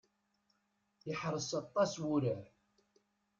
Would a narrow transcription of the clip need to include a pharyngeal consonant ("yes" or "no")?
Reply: yes